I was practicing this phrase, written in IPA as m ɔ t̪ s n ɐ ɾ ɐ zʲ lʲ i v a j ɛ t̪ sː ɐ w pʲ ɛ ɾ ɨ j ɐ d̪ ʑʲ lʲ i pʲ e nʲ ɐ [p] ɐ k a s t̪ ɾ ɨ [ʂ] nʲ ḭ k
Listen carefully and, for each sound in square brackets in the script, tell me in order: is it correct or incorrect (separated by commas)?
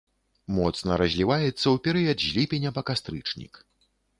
correct, incorrect